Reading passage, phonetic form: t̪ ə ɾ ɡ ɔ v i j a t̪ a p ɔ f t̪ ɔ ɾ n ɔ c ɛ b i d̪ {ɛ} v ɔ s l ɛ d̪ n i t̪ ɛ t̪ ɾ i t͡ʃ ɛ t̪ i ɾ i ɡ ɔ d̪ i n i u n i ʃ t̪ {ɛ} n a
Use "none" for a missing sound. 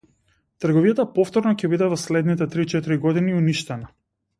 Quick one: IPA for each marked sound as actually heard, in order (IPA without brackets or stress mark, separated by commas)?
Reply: ɛ, ɛ